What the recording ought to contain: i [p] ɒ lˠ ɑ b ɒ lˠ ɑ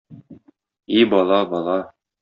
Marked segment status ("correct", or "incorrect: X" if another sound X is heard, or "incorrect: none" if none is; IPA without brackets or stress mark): incorrect: b